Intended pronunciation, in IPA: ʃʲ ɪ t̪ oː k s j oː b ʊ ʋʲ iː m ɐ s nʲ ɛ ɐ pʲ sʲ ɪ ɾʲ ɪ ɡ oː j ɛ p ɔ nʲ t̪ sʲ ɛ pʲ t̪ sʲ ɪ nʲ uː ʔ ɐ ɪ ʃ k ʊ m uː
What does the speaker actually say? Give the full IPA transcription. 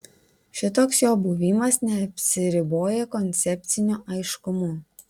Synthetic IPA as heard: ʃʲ ɪ t̪ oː k s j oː b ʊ ʋʲ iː m ɐ s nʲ ɛ ɐ pʲ sʲ ɪ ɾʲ ɪ b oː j ɛ k ɔ nʲ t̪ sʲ ɛ pʲ t̪ sʲ ɪ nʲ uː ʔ ɐ ɪ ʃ k ʊ m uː